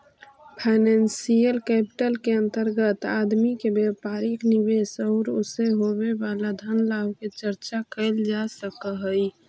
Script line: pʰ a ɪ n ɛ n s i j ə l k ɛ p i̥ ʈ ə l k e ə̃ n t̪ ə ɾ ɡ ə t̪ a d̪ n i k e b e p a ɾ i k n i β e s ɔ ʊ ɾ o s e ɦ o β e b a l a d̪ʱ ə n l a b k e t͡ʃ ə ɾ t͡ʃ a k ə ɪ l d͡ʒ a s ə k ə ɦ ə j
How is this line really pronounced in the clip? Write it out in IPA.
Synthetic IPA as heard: pʰ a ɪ n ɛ n s i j ə l k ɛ p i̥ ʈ ə l k e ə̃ n t̪ ə ɾ ɡ ə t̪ a d̪ m i k e b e p a ɾ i k n i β e s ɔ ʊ ɾ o s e ɦ o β e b a l a d̪ʱ ə n l a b k e t͡ʃ ə ɾ t͡ʃ a k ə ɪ l d͡ʒ a s ə k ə ɦ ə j